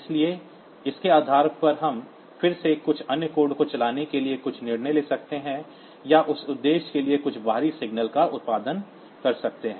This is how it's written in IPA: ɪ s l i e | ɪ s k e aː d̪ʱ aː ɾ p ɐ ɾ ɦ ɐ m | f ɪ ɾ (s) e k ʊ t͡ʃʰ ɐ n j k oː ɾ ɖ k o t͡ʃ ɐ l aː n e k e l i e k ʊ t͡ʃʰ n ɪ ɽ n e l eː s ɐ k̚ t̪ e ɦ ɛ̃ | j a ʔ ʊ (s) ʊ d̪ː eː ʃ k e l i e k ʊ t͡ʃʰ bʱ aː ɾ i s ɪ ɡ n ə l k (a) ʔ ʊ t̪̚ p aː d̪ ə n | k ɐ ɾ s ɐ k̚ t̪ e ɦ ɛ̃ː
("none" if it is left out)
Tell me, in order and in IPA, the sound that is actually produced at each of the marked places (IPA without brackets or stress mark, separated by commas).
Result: s, s, a